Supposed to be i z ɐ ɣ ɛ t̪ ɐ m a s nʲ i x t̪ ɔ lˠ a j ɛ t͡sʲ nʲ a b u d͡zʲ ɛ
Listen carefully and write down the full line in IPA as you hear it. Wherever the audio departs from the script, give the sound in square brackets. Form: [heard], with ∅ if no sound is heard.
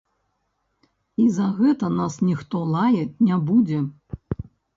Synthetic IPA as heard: i z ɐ ɣ ɛ t̪ ɐ [n] a s nʲ i x t̪ ɔ lˠ a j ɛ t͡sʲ nʲ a b u d͡zʲ ɛ